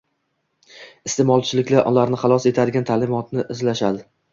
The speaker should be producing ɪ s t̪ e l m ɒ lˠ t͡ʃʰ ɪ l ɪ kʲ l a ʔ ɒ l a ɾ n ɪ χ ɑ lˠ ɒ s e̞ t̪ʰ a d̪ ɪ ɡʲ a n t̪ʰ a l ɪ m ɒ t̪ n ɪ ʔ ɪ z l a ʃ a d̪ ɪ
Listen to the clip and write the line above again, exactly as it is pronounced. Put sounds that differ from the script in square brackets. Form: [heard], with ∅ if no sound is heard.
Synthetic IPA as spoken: ɪ s t̪ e [∅] m ɒ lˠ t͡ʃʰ ɪ l ɪ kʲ l a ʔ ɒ l a ɾ n ɪ χ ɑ lˠ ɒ s e̞ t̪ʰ a d̪ ɪ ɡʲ a n t̪ʰ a l ɪ m ɒ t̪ n ɪ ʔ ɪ z l a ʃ a d̪ ɪ

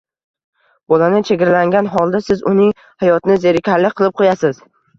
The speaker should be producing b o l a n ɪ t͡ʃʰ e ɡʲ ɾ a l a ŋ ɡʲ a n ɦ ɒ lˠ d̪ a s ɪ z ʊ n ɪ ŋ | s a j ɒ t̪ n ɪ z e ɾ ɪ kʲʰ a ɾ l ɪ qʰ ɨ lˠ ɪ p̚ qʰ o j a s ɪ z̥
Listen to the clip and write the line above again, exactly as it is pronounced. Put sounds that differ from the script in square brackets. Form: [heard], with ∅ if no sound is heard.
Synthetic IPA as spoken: b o l a n ɪ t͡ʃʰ e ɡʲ ɾ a l a ŋ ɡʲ a n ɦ ɒ lˠ d̪ a s ɪ z ʊ n ɪ ŋ | [h] a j ɒ t̪ n ɪ z e ɾ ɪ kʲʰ a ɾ l ɪ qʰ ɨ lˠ ɪ p̚ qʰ o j a s ɪ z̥

